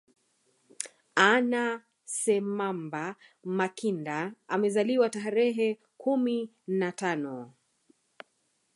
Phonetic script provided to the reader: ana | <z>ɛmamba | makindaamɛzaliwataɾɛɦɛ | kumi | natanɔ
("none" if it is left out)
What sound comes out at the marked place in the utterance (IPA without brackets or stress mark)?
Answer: s